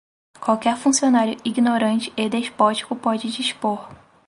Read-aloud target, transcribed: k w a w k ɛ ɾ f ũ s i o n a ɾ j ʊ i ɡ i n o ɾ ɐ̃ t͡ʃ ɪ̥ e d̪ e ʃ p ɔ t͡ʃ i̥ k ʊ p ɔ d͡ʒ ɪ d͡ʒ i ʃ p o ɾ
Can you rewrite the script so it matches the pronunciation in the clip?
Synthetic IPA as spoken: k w a w k ɛ ɾ f ũ s i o n a ɾ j ʊ i ɡ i n o ɾ ɐ̃ t͡ʃ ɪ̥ e d̪ e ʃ p ɔ t͡ʃ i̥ k ʊ p ɔ d͡ʒ ɪ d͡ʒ i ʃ p o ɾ